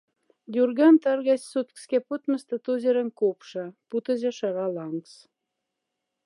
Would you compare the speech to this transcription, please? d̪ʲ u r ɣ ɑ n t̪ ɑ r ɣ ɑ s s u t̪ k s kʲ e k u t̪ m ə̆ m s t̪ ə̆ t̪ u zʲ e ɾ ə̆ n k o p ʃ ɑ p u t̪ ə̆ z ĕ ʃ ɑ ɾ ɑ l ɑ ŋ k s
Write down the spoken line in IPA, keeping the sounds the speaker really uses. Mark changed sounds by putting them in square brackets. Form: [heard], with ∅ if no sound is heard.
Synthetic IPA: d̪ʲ u r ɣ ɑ n t̪ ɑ r ɣ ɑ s s u t̪ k s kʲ e [p] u t̪ m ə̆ [∅] s t̪ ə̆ t̪ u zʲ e ɾ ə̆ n k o p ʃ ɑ p u t̪ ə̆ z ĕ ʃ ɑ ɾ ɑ l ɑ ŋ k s